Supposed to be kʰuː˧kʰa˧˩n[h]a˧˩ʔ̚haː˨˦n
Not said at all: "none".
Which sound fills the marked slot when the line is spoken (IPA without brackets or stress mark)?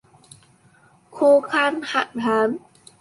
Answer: h